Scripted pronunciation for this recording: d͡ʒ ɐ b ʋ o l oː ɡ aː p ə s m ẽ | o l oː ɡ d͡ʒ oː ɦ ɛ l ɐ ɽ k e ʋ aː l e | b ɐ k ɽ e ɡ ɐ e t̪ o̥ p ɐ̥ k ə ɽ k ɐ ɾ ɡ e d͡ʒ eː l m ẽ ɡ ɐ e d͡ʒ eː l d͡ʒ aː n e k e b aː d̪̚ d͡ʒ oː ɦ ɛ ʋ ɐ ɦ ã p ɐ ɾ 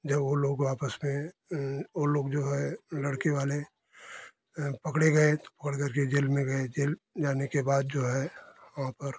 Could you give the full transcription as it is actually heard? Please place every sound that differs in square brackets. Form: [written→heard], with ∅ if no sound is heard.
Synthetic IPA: d͡ʒ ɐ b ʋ o l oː ɡ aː p ə s m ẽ | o l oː ɡ d͡ʒ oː ɦ ɛ l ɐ ɽ k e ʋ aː l e | [b→p] ɐ k ɽ e ɡ ɐ e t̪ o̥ p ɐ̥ k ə ɽ k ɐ ɾ [ɡ→k] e d͡ʒ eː l m ẽ ɡ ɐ e d͡ʒ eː l d͡ʒ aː n e k e b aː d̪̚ d͡ʒ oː ɦ ɛ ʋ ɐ ɦ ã p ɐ ɾ